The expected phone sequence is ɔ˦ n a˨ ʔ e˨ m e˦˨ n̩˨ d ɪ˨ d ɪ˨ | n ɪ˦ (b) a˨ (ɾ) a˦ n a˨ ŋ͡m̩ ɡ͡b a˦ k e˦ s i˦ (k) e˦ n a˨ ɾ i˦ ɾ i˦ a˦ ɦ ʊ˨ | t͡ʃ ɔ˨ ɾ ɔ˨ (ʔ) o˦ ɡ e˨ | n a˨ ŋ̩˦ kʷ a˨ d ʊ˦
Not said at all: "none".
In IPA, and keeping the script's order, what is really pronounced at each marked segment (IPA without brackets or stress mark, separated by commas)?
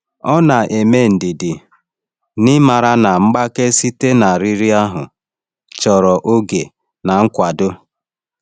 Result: m, ɾ, t, ʔ